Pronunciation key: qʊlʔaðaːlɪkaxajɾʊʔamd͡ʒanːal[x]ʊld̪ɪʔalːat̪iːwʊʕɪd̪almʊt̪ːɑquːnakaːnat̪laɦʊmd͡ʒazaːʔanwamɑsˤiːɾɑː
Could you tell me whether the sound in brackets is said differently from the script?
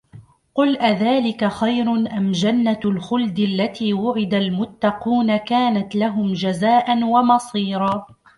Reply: no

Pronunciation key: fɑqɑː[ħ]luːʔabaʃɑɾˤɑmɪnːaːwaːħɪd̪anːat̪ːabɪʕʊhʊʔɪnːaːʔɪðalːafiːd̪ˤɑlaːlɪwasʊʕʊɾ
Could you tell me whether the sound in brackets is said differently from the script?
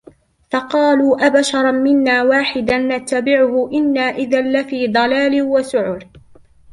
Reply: yes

